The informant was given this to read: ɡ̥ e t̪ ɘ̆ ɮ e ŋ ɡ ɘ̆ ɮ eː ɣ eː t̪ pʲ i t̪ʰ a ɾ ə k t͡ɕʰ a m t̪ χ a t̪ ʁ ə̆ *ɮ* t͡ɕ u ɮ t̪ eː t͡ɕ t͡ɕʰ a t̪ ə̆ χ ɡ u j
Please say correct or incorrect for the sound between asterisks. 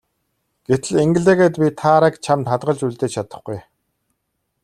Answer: correct